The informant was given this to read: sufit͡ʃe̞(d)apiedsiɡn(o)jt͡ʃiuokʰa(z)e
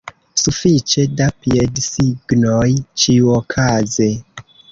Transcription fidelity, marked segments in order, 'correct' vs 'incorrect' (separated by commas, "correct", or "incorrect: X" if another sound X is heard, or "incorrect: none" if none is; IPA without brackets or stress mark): correct, correct, correct